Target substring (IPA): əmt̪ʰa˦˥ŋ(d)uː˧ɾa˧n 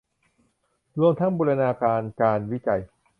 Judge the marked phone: incorrect: b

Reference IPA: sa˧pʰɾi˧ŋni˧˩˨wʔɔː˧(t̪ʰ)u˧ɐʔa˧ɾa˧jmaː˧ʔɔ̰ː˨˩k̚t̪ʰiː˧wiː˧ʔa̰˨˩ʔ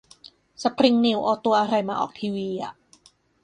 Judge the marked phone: incorrect: t̪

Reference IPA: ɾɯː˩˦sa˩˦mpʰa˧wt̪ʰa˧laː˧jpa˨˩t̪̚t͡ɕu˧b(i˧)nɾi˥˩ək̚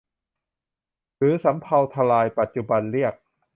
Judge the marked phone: incorrect: a˧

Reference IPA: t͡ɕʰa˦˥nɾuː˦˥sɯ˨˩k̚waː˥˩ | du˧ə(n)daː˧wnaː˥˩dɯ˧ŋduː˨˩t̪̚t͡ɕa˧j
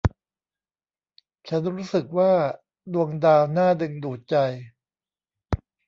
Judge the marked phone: incorrect: ŋ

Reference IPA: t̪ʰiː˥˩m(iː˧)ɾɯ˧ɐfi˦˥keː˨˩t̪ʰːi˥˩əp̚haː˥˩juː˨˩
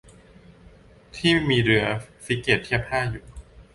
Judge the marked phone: correct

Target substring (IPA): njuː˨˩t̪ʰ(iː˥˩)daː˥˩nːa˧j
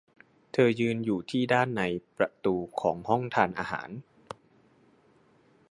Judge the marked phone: correct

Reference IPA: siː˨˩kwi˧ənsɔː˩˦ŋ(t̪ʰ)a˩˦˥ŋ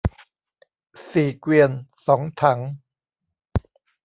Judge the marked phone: correct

